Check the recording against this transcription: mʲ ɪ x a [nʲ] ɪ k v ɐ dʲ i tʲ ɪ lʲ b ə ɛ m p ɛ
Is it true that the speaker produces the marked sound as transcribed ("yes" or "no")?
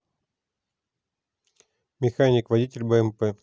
yes